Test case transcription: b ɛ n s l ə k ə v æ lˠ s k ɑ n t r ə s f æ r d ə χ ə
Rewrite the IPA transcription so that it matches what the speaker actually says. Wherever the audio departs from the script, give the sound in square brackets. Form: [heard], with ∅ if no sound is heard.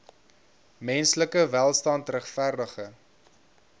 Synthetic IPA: [m] ɛ n s l ə k ə v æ lˠ s [t] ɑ n t r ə [χ] f æ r d ə χ ə